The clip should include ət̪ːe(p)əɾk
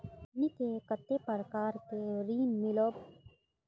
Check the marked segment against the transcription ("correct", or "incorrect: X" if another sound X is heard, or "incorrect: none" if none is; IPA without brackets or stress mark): correct